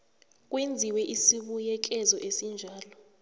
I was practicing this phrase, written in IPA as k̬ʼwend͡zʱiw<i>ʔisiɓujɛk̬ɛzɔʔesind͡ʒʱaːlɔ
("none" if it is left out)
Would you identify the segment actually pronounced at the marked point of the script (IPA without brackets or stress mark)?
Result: ɛ